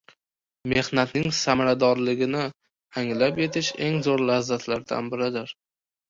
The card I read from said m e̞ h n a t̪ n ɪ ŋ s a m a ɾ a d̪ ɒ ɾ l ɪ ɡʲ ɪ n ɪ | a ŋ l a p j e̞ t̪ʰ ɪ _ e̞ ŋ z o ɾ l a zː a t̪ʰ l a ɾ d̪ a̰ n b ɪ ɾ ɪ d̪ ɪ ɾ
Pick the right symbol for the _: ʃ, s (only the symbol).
ʃ